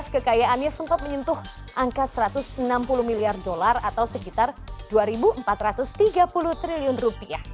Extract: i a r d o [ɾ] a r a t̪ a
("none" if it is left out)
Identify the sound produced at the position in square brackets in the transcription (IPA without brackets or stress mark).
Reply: l